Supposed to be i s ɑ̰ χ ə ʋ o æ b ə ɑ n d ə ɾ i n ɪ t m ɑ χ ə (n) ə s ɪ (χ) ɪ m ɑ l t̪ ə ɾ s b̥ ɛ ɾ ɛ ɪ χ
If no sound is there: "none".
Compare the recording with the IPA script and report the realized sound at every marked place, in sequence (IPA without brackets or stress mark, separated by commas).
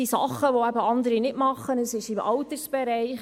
n, ʃ